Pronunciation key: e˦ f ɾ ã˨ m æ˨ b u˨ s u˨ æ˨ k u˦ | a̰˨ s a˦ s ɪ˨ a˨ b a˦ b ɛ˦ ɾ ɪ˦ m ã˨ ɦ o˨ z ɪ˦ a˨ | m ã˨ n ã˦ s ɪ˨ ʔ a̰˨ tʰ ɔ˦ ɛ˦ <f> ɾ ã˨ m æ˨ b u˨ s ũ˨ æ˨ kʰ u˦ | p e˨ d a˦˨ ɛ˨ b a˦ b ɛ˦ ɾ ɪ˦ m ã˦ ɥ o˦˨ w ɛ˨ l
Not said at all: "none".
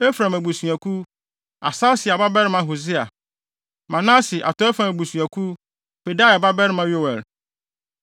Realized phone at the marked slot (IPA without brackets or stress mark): f